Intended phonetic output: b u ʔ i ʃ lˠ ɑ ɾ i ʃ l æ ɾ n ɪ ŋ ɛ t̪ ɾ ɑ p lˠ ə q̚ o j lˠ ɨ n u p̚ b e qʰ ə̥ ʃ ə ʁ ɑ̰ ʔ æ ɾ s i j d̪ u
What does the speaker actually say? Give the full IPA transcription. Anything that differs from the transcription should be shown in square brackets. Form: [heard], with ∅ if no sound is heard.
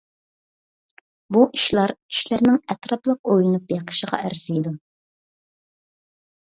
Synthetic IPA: b u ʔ i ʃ lˠ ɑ ɾ i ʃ l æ ɾ n ɪ ŋ ɛ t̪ ɾ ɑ p lˠ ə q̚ o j lˠ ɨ n u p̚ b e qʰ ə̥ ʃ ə ʁ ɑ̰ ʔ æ ɾ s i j d̪ u